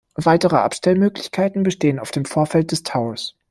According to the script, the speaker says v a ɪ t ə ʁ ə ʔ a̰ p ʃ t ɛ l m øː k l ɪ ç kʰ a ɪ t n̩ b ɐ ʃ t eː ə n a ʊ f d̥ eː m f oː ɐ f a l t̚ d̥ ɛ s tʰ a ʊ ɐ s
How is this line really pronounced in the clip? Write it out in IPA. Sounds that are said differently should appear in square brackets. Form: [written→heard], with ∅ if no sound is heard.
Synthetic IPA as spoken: v a ɪ t ə ʁ ə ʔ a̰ p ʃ t ɛ l m øː k l ɪ ç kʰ a ɪ t n̩ b [ɐ→ə] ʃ t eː ə n a ʊ f d̥ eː m f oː ɐ f [a→ɛ] l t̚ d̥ ɛ s tʰ a ʊ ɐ s